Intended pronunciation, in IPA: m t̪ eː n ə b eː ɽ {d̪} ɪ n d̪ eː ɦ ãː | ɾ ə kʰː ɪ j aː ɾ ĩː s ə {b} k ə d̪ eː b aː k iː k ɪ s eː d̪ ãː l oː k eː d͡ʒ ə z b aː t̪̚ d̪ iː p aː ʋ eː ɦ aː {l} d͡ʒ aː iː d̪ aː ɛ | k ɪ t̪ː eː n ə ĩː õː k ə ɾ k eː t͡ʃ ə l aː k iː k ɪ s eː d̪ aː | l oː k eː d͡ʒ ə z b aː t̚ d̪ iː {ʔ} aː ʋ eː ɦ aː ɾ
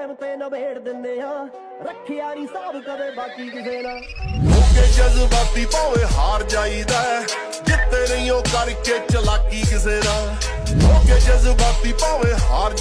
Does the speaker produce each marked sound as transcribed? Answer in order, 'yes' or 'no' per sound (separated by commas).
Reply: yes, yes, no, no